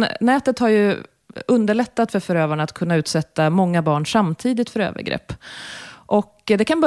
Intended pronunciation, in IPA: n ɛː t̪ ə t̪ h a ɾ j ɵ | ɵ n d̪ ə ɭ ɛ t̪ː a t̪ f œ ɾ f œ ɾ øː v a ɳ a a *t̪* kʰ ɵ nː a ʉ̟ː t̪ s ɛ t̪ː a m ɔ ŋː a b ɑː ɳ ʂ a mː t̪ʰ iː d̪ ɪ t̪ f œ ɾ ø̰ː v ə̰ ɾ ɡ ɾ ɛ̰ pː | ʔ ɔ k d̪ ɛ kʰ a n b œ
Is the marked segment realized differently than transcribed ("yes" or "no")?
no